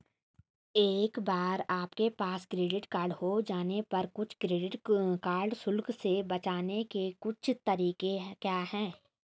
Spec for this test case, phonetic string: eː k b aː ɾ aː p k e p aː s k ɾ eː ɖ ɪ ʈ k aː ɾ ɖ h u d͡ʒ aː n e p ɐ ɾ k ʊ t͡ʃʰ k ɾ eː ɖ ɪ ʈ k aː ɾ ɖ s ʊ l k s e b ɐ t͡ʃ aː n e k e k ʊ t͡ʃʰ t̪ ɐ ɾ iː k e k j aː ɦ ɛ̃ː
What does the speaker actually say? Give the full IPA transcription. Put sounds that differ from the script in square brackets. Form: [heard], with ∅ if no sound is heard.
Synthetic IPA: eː k b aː ɾ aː p k e p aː s k ɾ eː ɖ ɪ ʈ k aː ɾ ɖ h [o] d͡ʒ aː n e p ɐ ɾ k ʊ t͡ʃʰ k ɾ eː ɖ ɪ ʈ k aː ɾ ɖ s ʊ l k s e b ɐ t͡ʃ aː n e k e k ʊ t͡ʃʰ t̪ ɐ ɾ iː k e k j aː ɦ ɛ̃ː